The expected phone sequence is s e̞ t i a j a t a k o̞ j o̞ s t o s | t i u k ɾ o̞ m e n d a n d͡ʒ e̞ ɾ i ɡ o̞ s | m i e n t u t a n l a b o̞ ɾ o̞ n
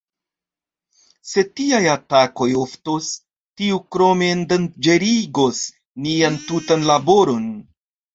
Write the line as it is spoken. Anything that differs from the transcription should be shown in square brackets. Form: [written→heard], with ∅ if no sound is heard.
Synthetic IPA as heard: s e̞ t i a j a t a k o̞ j o̞ [s→f] t o s | t i u k ɾ o̞ m e n d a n d͡ʒ e̞ ɾ i ɡ o̞ s | [m→n] i [e→a] n t u t a n l a b o̞ ɾ o̞ n